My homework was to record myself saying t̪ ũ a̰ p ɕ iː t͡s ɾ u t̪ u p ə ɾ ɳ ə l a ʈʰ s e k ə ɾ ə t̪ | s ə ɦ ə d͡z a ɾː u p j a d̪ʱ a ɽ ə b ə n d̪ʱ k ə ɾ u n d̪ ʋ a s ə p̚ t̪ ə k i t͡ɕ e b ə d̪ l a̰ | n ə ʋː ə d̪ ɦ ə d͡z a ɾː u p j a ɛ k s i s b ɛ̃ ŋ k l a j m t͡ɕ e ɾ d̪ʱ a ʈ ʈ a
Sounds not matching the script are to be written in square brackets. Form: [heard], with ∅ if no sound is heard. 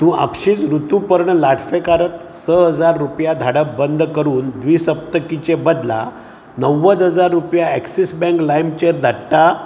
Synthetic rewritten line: t̪ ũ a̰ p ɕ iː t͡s ɾ u t̪ u p ə ɾ ɳ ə l a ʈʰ [f] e k [a] ɾ ə t̪ | s ə ɦ ə d͡z a ɾː u p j a d̪ʱ a ɽ ə b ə n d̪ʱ k ə ɾ [uː] n d̪ ʋ [i] s ə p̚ t̪ ə k i t͡ɕ e b ə d̪ l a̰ | n ə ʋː ə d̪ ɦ ə d͡z a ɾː u p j a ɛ k s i s b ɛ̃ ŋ k l a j m t͡ɕ e ɾ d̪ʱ a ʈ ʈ a